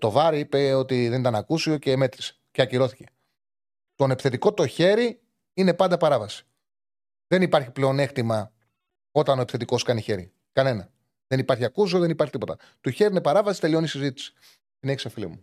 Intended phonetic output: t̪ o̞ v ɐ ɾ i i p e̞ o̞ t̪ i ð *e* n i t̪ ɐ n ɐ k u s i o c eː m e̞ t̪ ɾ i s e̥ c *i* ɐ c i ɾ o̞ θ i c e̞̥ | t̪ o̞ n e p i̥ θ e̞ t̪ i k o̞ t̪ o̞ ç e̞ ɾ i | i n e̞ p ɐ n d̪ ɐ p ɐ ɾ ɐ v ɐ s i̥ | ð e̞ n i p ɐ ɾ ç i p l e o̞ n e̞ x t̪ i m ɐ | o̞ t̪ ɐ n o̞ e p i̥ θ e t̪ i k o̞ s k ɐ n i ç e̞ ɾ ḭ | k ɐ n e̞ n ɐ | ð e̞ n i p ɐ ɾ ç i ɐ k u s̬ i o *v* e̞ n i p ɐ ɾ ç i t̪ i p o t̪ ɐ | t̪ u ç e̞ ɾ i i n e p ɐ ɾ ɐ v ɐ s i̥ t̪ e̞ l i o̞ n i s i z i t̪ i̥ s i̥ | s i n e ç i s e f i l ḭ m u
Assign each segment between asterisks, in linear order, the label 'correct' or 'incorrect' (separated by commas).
correct, incorrect, incorrect